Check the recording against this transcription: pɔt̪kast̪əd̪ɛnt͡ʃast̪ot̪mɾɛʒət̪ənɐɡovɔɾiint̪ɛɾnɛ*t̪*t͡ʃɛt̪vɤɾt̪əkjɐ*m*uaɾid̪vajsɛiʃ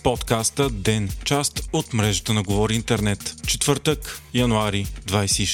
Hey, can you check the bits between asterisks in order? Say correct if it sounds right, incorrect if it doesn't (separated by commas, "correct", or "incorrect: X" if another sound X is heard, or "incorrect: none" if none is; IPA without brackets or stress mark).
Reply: correct, incorrect: n